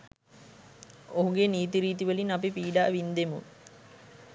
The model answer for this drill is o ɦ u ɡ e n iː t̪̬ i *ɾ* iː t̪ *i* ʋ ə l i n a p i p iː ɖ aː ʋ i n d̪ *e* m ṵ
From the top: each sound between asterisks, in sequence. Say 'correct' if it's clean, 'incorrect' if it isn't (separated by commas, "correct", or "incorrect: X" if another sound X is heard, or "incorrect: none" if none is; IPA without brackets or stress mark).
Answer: correct, correct, correct